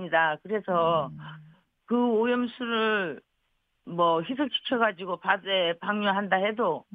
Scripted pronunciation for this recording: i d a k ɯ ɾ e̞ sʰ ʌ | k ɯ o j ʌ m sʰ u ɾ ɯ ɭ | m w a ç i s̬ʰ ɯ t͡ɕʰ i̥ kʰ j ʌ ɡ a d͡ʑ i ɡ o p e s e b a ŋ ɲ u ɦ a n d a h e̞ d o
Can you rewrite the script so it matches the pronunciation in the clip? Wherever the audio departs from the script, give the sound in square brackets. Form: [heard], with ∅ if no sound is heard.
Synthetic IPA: i d a k ɯ ɾ e̞ sʰ ʌ | k ɯ o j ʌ m sʰ u ɾ ɯ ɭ | m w [ʌ] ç i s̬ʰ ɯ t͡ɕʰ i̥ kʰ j ʌ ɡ a d͡ʑ i ɡ o p [a] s e [p] a ŋ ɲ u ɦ a n d a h e̞ d o